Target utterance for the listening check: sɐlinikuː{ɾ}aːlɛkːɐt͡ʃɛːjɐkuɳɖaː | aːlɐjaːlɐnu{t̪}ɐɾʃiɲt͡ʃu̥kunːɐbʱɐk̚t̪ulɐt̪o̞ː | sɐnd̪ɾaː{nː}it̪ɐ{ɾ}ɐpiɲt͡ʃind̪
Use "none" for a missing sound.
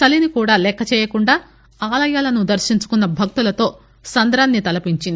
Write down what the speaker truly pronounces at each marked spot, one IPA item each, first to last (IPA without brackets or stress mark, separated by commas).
ɽ, d̪, nː, l